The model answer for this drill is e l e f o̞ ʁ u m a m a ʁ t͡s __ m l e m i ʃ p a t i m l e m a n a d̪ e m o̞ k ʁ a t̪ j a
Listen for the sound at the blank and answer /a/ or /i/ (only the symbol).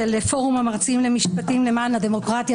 i